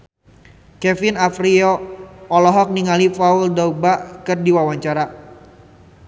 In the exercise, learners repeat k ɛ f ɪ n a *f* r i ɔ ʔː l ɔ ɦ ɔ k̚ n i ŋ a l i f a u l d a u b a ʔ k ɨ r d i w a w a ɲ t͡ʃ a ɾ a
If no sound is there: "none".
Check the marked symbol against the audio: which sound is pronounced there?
f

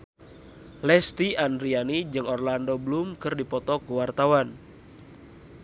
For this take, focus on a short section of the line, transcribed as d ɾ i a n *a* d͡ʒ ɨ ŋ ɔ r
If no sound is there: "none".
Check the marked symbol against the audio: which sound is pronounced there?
i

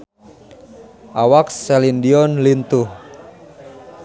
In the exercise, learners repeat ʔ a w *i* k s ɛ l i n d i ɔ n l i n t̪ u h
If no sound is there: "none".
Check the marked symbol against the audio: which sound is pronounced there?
a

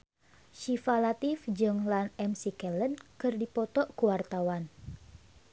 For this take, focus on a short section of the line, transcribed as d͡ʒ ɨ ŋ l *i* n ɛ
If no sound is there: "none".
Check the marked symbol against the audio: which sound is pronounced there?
a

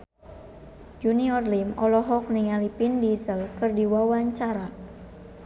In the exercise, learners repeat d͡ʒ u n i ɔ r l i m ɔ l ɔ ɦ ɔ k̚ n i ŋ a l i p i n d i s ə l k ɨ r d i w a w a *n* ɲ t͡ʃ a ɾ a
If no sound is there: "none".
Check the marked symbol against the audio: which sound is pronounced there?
none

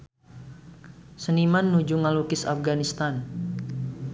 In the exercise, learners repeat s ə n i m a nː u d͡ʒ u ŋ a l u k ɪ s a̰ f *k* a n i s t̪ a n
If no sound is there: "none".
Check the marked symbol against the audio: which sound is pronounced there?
ɡ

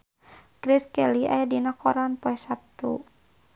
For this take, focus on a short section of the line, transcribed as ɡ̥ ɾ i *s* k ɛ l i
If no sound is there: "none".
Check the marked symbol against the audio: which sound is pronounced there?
s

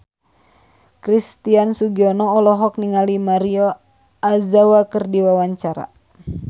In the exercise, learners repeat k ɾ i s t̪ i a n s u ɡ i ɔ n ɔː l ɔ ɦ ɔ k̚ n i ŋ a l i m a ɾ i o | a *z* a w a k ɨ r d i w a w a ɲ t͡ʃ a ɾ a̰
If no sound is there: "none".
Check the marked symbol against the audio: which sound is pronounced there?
z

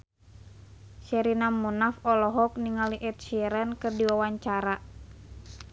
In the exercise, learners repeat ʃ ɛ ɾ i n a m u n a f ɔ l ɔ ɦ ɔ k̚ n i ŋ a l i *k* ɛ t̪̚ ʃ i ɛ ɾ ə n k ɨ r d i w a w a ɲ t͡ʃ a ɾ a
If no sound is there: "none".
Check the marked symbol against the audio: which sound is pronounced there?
ʔ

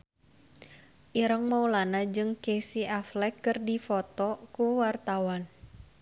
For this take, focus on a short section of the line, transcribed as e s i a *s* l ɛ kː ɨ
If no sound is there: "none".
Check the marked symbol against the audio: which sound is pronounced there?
f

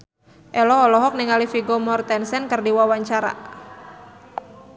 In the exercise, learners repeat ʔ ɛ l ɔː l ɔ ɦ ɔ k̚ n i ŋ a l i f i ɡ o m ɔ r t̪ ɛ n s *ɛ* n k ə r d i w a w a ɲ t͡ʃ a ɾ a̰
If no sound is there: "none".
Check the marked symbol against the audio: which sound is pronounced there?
ɛ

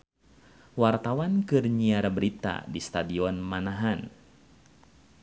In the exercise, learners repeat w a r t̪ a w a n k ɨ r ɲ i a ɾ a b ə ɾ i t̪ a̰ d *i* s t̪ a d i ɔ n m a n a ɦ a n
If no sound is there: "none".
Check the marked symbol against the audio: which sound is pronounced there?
i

